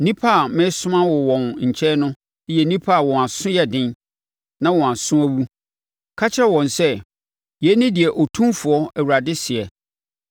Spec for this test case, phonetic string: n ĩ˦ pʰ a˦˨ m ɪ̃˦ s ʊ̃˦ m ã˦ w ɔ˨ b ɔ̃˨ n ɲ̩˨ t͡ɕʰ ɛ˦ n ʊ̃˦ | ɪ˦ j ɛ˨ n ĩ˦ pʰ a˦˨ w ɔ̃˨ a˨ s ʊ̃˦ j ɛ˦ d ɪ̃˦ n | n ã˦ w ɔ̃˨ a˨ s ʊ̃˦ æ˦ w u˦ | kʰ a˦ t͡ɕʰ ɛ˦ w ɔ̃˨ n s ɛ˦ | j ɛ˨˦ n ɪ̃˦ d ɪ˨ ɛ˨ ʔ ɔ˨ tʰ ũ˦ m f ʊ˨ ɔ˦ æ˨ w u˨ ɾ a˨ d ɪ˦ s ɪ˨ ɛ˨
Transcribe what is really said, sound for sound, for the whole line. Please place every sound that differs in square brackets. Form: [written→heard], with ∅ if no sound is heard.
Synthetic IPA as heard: n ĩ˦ pʰ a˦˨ m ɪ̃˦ s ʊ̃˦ m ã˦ w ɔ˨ [b→w] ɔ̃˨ n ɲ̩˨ t͡ɕʰ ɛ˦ n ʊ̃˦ | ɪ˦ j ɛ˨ n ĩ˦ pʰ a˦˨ w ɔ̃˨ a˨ s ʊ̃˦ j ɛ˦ d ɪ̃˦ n | n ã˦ w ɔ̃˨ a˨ s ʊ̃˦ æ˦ w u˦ | kʰ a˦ t͡ɕʰ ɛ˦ w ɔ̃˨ n s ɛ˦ | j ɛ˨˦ n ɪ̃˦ d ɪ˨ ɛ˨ ʔ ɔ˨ tʰ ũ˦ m f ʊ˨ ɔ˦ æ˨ w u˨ ɾ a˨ d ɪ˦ s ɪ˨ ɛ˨

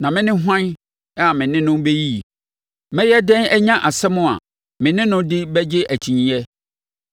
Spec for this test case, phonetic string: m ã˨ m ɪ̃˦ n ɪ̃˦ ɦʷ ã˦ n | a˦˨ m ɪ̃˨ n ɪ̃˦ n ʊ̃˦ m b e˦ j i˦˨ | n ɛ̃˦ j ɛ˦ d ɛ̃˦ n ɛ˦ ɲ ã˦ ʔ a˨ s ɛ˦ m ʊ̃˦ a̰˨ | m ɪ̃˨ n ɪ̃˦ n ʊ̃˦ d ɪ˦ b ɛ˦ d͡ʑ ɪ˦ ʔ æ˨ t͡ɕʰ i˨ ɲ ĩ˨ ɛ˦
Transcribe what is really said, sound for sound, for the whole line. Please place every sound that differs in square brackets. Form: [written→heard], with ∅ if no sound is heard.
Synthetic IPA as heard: [m→n] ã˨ m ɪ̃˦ n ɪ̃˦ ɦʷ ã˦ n | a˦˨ m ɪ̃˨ n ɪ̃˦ n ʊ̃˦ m b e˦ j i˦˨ | [n→m] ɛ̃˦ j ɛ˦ d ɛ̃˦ n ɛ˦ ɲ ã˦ ʔ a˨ s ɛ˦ m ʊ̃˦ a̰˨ | m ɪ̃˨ n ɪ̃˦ n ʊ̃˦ d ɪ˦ b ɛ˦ d͡ʑ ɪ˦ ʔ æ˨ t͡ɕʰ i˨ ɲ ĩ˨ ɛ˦

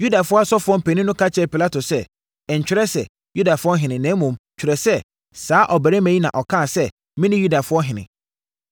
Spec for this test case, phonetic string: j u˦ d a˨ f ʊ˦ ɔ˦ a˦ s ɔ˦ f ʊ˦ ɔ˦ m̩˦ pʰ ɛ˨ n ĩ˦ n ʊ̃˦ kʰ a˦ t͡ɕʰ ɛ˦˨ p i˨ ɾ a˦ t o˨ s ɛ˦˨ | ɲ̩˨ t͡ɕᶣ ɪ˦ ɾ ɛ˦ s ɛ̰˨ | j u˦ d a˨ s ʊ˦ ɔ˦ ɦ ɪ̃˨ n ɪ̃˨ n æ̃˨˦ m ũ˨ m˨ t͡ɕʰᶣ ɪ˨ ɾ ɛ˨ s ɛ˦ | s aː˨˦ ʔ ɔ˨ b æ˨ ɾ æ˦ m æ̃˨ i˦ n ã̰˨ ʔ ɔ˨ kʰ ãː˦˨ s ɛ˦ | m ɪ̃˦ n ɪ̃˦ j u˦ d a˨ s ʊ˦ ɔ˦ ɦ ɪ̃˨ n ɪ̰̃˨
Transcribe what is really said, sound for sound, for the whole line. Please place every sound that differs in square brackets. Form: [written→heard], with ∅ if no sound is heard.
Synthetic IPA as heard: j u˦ d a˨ f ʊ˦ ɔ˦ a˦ s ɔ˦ f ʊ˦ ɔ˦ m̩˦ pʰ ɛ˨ n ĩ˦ n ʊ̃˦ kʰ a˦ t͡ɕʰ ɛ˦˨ p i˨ [ɾ→l] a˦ t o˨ s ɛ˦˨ | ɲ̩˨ t͡ɕᶣ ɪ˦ ɾ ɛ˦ s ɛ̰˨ | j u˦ d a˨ [s→f] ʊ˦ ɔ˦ ɦ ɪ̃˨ n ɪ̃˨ n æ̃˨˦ m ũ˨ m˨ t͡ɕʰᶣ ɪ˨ ɾ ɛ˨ s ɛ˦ | s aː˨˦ ʔ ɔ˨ b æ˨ ɾ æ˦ m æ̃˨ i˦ n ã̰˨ ʔ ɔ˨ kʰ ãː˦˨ s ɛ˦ | m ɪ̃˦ n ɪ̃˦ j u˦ d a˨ [s→f] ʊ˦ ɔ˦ ɦ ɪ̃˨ n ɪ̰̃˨

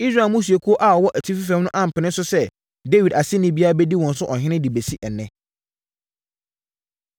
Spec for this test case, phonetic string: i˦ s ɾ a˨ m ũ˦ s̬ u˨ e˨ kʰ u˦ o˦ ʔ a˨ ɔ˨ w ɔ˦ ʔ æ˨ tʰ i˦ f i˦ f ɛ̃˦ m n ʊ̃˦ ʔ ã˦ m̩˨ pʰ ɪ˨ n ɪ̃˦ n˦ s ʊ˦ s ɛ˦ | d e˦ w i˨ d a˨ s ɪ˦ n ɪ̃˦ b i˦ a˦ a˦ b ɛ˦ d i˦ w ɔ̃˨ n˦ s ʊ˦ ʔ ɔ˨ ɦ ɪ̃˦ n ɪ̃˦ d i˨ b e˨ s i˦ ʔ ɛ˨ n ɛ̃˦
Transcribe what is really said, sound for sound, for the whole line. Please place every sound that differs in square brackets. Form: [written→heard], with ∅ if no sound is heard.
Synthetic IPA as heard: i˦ s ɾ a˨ m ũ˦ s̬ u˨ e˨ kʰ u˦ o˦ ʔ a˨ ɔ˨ w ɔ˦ ʔ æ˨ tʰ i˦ f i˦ f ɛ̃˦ m n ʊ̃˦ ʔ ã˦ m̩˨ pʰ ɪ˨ n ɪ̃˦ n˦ s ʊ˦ s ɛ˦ | d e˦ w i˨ d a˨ s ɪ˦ n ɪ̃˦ b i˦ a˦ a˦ b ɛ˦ d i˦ w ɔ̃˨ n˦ s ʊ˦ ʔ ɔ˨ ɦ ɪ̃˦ n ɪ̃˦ d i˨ b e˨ s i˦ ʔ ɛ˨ n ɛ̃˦

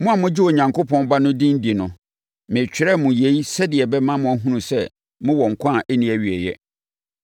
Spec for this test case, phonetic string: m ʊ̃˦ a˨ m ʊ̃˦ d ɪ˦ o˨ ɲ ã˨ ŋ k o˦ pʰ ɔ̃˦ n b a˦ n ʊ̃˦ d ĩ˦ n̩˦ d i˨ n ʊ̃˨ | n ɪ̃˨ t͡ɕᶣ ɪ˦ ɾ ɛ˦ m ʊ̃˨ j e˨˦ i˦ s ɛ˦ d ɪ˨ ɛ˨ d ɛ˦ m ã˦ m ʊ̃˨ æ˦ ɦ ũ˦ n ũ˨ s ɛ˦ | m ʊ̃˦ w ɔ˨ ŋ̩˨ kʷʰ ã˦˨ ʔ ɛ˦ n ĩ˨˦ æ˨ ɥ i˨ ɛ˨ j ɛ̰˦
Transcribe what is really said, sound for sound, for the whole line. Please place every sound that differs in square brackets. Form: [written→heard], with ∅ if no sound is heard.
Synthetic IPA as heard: m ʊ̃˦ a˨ m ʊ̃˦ [d→d͡ʑ] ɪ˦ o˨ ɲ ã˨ ŋ k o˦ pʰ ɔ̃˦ n b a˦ n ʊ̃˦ d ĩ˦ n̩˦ d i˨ n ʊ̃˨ | [n→m] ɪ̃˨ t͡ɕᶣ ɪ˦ ɾ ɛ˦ m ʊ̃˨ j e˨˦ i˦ s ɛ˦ d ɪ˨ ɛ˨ [d→b] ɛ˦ m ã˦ m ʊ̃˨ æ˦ ɦ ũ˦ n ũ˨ s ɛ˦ | m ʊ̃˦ w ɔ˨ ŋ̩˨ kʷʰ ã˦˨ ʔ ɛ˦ n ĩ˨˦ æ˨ ɥ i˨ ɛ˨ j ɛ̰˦

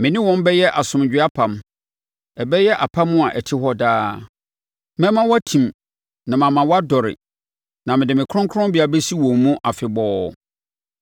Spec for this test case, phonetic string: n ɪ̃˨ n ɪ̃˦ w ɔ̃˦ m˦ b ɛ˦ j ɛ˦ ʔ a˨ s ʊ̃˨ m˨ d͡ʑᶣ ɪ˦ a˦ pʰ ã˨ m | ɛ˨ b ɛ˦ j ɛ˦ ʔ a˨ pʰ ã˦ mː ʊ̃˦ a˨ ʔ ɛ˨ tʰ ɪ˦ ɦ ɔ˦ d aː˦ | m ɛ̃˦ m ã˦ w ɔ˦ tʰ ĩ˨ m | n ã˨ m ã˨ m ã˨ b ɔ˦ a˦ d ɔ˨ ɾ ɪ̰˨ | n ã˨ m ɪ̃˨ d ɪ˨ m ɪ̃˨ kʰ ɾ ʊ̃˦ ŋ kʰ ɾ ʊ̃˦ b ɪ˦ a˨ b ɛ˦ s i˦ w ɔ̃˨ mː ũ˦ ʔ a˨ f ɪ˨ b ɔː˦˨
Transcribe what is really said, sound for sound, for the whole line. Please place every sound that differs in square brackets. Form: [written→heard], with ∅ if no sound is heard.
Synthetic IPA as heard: [n→m] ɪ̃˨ n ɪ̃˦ w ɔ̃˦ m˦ b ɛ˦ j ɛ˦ ʔ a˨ s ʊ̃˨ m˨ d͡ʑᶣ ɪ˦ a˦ pʰ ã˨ m | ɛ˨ b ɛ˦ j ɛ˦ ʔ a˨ pʰ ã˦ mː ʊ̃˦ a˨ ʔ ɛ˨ tʰ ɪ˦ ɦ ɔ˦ d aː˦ | m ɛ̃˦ m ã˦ w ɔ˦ tʰ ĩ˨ m | n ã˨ m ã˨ m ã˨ [b→w] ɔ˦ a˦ d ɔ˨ ɾ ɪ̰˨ | n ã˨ m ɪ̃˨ d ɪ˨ m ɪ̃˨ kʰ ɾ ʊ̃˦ ŋ kʰ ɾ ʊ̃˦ b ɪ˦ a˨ b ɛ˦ s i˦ w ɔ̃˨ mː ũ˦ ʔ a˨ f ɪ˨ b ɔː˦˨

